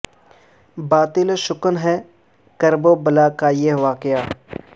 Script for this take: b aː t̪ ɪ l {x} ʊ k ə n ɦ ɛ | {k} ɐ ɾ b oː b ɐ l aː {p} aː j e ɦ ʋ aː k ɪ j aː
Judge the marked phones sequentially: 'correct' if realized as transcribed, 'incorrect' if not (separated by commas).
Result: incorrect, correct, incorrect